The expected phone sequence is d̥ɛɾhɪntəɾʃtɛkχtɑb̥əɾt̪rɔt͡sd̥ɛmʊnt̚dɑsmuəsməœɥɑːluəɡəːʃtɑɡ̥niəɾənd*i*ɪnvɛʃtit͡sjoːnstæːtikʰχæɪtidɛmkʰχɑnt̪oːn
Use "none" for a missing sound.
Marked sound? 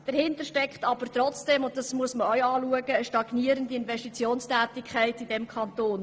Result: i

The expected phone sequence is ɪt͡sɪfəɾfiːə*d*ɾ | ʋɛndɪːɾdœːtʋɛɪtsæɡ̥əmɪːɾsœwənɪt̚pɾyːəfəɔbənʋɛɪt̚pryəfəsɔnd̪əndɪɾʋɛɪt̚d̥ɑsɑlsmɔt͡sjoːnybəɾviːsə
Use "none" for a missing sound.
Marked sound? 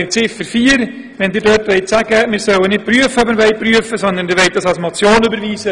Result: none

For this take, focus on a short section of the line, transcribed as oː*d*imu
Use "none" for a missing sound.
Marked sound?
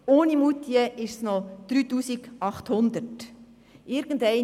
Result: n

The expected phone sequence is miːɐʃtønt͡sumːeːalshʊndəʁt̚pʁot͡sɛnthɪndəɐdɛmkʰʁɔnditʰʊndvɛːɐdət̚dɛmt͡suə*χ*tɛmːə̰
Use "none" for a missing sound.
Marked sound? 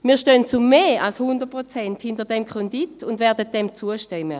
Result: ʃ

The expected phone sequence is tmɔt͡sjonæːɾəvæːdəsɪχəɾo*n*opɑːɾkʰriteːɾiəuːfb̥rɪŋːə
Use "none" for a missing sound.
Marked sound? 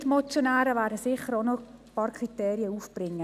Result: n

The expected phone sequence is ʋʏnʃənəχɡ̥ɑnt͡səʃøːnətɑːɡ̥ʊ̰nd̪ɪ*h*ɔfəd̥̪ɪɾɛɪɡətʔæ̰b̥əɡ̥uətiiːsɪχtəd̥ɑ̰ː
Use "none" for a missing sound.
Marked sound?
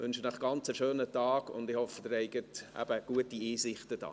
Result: h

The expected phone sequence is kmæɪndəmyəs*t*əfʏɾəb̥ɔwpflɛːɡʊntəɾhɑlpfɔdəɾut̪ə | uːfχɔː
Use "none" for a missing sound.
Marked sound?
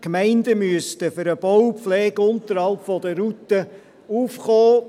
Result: t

